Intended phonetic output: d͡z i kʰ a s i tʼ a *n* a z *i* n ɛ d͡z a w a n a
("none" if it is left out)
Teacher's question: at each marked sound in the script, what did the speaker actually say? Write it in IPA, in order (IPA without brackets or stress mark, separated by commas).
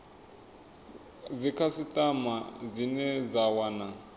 m, i